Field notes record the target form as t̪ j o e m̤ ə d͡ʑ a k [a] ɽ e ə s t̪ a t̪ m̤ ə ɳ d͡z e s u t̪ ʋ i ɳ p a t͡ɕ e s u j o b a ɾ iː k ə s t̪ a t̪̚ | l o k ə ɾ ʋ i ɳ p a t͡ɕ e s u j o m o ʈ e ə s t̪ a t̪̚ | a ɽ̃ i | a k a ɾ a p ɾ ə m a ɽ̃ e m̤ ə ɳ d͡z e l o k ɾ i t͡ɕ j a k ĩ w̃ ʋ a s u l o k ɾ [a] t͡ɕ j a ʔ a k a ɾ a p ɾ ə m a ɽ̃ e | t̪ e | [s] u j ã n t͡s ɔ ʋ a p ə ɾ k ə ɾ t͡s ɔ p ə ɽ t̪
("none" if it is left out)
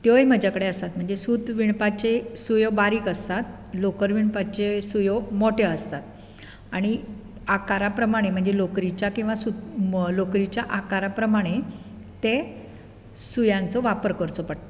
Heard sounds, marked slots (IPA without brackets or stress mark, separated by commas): ə, i, s